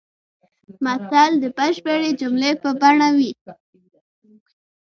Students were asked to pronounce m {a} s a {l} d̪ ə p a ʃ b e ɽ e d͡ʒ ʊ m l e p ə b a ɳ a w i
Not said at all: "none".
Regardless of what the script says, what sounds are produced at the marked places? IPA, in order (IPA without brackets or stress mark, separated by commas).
a, l